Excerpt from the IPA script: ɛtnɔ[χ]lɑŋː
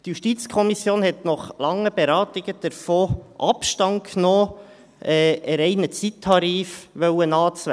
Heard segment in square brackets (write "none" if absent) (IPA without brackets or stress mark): χ